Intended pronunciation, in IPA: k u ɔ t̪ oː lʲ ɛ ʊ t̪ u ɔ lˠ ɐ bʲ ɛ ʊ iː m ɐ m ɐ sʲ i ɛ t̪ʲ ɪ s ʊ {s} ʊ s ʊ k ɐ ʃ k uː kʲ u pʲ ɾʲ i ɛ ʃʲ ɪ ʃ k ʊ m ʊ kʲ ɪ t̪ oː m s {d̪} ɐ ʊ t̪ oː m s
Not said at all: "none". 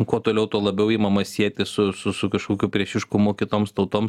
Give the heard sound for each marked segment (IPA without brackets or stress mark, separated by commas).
s, t̪